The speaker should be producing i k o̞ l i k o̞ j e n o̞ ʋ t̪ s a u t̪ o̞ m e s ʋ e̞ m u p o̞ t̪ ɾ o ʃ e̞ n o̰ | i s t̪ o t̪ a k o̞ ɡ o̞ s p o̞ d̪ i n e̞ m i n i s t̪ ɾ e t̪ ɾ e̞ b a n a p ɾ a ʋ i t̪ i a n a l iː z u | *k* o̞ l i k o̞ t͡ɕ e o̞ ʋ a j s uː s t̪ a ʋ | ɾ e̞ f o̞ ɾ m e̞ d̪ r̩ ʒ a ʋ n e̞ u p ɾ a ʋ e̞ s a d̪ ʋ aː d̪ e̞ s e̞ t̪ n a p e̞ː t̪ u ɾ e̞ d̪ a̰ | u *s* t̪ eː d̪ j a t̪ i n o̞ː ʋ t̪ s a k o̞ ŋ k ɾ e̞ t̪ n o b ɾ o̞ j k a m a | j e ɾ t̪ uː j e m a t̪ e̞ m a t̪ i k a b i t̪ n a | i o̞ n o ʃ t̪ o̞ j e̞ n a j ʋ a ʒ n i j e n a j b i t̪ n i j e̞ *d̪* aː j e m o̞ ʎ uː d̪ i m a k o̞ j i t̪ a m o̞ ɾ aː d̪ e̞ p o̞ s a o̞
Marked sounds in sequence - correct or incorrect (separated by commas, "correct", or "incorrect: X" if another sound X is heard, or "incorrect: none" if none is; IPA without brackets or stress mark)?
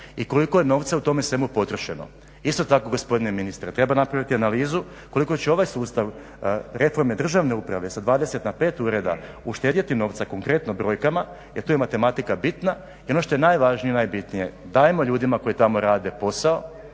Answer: correct, incorrect: ʃ, correct